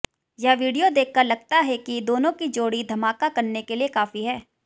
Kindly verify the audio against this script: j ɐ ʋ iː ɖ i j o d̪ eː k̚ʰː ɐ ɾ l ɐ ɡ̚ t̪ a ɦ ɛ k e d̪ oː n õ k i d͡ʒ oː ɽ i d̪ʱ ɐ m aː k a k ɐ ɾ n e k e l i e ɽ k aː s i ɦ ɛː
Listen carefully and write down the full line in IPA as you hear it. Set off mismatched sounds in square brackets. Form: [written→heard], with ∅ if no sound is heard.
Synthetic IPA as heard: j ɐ ʋ iː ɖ i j o d̪ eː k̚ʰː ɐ ɾ l ɐ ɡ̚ t̪ a ɦ ɛ k [e→i] d̪ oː n õ k i d͡ʒ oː ɽ i d̪ʱ ɐ m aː k a k ɐ ɾ n e k e l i e [ɽ→∅] k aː [s→f] i ɦ ɛː